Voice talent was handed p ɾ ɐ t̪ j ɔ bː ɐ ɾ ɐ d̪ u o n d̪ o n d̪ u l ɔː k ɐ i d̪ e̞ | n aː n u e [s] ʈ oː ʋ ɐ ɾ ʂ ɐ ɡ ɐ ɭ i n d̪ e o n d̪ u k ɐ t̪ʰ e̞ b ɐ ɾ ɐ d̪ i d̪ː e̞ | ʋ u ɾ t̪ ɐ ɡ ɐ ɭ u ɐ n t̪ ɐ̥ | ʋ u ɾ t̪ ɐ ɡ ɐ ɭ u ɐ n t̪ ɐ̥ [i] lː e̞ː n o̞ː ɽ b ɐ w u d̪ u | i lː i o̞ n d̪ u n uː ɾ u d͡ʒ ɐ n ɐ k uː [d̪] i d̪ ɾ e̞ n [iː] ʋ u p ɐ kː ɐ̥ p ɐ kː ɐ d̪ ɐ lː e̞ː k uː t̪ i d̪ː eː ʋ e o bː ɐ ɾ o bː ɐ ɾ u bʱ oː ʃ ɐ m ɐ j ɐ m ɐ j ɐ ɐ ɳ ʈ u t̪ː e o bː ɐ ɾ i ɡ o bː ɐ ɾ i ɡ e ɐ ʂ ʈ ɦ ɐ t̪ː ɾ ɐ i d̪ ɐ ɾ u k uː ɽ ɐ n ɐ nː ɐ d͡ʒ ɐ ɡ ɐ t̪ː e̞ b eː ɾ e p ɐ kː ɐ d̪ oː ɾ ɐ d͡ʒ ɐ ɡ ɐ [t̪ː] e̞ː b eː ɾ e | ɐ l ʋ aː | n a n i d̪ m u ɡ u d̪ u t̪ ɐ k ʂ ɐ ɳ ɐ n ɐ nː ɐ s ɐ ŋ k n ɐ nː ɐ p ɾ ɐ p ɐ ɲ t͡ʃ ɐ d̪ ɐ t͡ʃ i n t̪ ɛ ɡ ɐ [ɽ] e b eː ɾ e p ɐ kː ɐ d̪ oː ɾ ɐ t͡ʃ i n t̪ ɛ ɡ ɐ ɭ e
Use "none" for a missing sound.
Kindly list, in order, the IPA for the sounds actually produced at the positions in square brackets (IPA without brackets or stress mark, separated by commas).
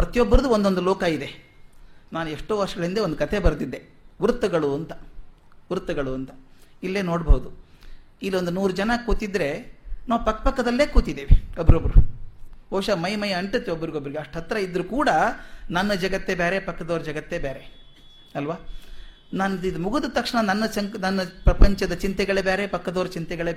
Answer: ʂ, i, t̪, aː, t̪ː, ɭ